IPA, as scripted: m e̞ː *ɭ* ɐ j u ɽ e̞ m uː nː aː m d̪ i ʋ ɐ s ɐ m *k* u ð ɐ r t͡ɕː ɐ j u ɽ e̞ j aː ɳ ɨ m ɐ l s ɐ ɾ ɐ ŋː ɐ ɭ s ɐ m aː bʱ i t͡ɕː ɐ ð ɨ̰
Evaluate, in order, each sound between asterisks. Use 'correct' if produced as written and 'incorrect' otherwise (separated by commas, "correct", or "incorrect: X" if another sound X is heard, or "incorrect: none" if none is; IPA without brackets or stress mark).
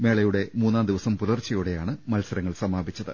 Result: correct, incorrect: p